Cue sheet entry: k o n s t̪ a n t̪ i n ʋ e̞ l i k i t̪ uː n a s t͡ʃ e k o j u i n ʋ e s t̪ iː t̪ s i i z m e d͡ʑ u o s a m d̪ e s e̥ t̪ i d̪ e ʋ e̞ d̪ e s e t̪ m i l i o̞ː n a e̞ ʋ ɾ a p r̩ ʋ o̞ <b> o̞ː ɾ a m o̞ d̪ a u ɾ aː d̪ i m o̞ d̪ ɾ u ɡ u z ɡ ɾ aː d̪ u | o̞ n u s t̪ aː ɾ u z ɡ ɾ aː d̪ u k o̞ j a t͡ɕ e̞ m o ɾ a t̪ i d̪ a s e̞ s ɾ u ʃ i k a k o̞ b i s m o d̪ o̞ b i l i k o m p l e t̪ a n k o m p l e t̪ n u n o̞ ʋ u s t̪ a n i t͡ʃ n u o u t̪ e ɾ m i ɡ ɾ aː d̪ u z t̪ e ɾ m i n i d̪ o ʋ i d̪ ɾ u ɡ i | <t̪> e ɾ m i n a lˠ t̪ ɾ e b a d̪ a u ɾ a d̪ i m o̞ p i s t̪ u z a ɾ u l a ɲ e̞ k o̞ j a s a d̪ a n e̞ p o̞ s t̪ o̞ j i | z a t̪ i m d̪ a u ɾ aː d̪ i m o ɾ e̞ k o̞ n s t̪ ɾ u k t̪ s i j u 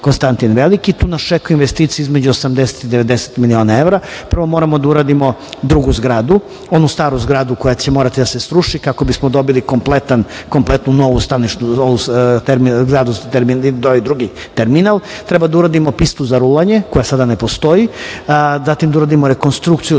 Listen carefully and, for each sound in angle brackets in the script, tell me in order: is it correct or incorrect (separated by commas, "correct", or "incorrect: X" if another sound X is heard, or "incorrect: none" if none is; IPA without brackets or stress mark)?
incorrect: m, correct